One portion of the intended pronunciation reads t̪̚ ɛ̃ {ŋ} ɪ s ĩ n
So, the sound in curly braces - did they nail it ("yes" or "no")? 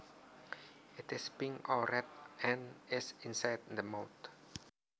no